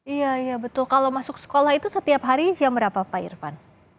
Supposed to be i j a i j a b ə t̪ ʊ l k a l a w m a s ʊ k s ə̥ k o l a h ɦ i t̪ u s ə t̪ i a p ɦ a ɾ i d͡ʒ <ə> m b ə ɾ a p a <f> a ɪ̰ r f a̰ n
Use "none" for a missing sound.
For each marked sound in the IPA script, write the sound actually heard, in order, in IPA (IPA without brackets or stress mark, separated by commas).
a, f